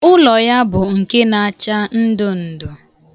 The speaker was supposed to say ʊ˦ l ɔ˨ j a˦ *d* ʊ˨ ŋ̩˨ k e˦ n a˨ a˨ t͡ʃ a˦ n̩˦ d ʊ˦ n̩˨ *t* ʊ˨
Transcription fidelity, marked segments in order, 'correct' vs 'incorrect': incorrect: b, incorrect: d

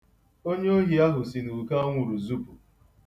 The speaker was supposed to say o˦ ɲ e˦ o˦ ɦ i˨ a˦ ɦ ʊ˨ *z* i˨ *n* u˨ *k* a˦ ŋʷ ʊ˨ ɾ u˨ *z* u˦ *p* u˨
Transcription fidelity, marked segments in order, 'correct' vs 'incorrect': incorrect: s, correct, correct, correct, correct

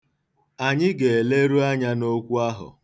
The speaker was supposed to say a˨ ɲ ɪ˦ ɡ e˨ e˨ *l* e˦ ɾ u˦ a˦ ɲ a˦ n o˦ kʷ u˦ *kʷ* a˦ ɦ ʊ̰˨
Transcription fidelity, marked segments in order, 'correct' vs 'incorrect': correct, incorrect: none

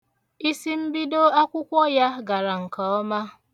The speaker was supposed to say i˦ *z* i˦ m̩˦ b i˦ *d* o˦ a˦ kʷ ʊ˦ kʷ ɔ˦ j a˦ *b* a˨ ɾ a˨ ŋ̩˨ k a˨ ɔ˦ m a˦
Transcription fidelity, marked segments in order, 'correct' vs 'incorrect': incorrect: s, correct, incorrect: ɡ

